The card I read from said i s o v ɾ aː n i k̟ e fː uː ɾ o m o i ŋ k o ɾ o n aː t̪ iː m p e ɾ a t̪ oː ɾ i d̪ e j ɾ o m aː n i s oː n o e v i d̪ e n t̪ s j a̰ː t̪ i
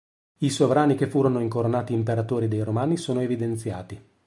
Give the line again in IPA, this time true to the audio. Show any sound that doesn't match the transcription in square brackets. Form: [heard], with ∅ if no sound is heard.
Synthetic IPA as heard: i s o v ɾ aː n i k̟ e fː uː ɾ o [n] o i ŋ k o ɾ o n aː t̪ iː m p e ɾ a t̪ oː ɾ i d̪ e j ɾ o m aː n i s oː n o e v i d̪ e n t̪ s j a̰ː t̪ i